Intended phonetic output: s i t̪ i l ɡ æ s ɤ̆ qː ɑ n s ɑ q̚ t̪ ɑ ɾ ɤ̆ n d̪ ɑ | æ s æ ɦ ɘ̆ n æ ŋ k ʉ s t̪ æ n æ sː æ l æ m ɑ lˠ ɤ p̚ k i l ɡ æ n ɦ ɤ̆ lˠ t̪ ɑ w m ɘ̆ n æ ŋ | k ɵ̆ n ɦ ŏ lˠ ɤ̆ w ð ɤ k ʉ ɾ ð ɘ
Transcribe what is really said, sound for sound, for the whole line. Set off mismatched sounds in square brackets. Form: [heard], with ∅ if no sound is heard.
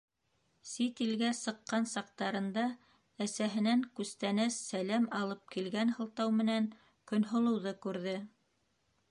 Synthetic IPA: s i t̪ i l ɡ æ s ɤ̆ qː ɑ n s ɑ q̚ t̪ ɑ ɾ ɤ̆ n d̪ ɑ | æ s æ ɦ ɘ̆ n æ ŋ k ʉ s t̪ æ n æ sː æ l æ m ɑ lˠ ɤ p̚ k i l ɡ æ n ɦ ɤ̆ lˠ t̪ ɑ w m ɘ̆ n æ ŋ | k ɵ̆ n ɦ ŏ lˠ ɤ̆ w ð ɤ k ʉ ɾ ð ɘ